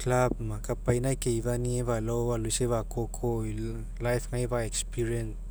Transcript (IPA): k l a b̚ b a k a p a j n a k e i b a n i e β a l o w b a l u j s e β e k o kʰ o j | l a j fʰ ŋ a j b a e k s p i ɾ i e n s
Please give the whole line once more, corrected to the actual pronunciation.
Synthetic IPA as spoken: k l a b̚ m a k a p a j n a k e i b a n i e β a l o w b a l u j s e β a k o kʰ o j | l a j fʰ ŋ a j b a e k s p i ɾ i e n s